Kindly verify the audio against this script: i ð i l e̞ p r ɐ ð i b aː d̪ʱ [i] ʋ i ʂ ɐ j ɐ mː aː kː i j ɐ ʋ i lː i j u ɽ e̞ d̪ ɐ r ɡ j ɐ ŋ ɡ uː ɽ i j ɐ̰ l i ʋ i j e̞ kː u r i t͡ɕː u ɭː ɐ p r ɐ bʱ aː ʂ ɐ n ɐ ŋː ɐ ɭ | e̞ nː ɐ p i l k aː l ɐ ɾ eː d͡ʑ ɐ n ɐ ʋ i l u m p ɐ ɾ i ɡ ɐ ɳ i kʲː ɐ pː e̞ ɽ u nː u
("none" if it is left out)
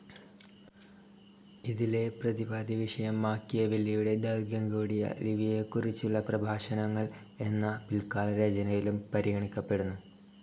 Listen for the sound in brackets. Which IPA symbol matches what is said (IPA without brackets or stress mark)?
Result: i